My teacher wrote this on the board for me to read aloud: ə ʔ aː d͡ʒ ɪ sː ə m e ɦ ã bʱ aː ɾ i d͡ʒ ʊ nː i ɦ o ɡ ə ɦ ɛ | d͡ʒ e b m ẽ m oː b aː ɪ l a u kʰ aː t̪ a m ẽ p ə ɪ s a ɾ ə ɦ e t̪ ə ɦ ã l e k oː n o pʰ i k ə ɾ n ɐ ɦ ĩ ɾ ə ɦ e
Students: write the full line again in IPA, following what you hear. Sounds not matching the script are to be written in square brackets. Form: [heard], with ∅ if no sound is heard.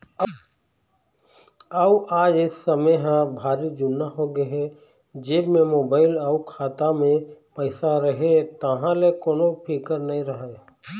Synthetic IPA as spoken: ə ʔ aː d͡ʒ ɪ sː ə m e ɦ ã bʱ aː ɾ i d͡ʒ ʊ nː [a] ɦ o ɡ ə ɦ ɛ | d͡ʒ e b m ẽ m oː b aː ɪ l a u kʰ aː t̪ a m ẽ p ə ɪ s a ɾ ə ɦ e t̪ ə ɦ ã l e k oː n o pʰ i k ə ɾ n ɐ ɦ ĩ ɾ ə ɦ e